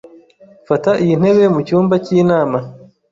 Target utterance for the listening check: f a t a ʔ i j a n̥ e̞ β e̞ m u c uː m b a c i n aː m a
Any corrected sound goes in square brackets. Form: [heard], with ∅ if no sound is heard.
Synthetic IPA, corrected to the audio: f a t a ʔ i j [i] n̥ e̞ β e̞ m u c uː m b a c i n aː m a